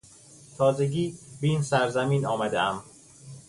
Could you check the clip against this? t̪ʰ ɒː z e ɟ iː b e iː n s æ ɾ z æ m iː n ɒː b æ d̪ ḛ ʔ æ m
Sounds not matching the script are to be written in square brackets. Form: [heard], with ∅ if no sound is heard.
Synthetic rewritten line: t̪ʰ ɒː z e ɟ iː b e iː n s æ ɾ z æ m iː n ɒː [m] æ d̪ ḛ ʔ æ m

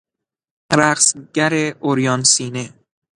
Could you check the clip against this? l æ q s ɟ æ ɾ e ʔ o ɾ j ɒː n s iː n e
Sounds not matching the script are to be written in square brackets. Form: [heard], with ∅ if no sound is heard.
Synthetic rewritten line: [ɾ] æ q s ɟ æ ɾ e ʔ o ɾ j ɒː n s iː n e

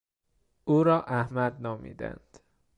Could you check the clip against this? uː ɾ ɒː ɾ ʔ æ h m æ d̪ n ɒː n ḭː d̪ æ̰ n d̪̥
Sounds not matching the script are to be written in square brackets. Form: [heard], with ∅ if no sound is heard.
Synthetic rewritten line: uː ɾ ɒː [∅] ʔ æ h m æ d̪ n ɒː [m] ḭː d̪ æ̰ n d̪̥

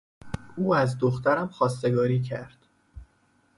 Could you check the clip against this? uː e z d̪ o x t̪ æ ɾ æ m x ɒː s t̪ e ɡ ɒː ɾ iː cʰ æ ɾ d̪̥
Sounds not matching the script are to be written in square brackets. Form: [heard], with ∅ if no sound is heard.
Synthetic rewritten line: uː [æ] z d̪ o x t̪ æ ɾ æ m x ɒː s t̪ e ɡ ɒː ɾ iː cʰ æ ɾ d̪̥

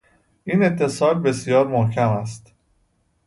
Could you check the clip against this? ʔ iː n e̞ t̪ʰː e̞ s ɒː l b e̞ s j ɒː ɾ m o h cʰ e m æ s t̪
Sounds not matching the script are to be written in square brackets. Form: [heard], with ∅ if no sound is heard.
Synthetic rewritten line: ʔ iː n e̞ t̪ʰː e̞ s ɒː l b e̞ s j ɒː ɾ m o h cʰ [æ] m æ s t̪

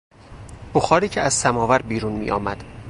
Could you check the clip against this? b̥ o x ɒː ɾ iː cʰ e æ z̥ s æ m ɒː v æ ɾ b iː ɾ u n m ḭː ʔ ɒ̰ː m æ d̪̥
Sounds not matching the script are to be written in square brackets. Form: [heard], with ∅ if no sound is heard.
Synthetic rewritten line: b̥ o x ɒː ɾ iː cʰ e æ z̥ s æ m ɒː v æ ɾ b iː ɾ u n m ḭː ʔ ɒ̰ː m æ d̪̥

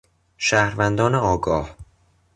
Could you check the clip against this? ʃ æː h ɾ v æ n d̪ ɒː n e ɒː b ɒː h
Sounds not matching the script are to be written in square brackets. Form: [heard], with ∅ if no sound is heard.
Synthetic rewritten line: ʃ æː h ɾ v æ n d̪ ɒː n e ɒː [ɡ] ɒː h

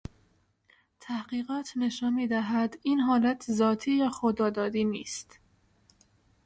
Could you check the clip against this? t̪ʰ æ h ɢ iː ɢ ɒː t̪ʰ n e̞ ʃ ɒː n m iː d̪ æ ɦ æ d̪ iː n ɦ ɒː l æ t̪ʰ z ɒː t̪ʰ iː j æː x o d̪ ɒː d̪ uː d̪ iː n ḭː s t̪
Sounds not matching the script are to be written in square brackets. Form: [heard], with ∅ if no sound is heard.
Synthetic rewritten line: t̪ʰ æ h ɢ iː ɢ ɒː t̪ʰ n e̞ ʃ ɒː n m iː d̪ æ ɦ æ d̪ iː n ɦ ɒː l æ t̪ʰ z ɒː t̪ʰ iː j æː x o d̪ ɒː d̪ [ɒː] d̪ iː n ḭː s t̪

